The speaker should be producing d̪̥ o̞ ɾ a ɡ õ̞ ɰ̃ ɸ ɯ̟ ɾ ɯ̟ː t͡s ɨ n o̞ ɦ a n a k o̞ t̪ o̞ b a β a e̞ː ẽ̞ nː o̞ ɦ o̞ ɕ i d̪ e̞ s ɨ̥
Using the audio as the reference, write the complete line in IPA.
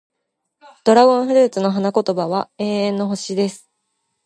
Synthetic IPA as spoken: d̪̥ o̞ ɾ a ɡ õ̞ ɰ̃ ɸ ɯ̟ ɾ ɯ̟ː t͡s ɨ n o̞ ɦ a n a k o̞ t̪ o̞ b a β a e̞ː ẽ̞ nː o̞ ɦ o̞ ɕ i d̪ e̞ s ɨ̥